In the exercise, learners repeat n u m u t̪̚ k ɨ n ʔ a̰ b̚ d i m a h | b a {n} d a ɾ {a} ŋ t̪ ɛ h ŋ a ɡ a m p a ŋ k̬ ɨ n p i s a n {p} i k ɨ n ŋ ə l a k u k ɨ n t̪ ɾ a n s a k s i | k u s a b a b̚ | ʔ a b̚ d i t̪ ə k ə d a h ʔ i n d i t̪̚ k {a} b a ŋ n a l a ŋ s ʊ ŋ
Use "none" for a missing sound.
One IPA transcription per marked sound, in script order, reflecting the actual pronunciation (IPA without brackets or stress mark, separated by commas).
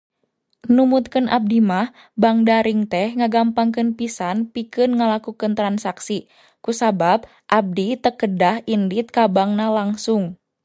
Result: ŋ, i, p, a